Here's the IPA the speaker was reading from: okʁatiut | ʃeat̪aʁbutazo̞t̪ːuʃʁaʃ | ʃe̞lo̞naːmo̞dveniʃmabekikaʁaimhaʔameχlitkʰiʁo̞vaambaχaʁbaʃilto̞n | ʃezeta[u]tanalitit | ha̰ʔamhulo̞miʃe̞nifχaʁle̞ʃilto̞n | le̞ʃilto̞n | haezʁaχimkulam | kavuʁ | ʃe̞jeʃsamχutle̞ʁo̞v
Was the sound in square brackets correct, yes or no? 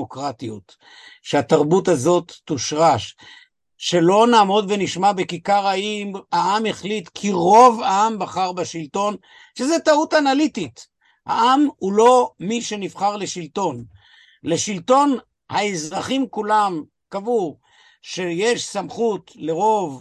yes